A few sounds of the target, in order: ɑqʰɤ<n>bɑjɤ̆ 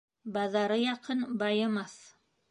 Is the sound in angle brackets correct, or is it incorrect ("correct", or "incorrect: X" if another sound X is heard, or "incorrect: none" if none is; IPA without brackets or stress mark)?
correct